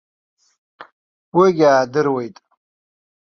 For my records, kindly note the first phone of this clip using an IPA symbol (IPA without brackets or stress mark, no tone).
w